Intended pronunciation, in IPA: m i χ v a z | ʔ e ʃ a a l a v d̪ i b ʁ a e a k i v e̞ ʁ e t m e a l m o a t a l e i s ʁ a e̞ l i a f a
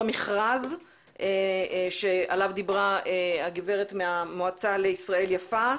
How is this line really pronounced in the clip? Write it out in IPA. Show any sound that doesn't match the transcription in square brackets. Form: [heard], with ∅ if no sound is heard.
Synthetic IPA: m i χ [ʁ] a z | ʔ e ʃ [e] a l a v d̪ i b ʁ a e a [ɡ] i v e̞ ʁ e t m e a [∅] m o a [t͡s] a l e i s ʁ a e̞ l [j] a f a